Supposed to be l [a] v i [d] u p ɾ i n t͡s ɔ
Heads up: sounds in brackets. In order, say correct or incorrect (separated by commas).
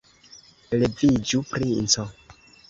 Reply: incorrect, incorrect